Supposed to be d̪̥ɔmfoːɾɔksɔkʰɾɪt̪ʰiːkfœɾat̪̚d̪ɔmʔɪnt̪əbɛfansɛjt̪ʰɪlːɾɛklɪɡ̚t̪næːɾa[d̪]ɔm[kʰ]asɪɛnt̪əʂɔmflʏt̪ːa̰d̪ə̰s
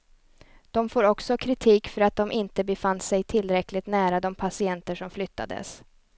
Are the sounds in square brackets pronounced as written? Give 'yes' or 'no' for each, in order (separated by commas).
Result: yes, no